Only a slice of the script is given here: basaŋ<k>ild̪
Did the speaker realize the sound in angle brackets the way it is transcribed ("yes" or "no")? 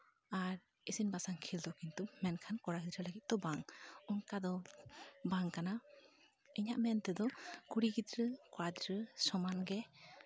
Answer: no